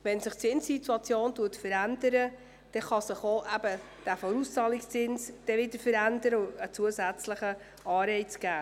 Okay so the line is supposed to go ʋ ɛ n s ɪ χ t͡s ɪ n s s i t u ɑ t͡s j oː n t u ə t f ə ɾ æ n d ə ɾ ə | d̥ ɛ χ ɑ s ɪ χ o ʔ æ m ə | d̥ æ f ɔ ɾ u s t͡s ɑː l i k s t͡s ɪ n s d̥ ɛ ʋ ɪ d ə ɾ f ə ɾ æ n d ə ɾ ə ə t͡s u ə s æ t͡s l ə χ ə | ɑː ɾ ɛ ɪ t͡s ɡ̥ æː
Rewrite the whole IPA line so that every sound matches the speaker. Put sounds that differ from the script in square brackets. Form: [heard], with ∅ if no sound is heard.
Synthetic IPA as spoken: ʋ ɛ n s ɪ χ t͡s ɪ n s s i t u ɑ t͡s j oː n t u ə t f ə ɾ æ n d ə ɾ ə | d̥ ɛ χ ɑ s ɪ χ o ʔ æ [b] ə | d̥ æ f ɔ ɾ u s t͡s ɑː l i k s t͡s ɪ n s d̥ ɛ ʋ ɪ d ə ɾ f ə ɾ æ n d ə ɾ ə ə t͡s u ə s æ t͡s l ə χ ə | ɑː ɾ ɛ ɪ t͡s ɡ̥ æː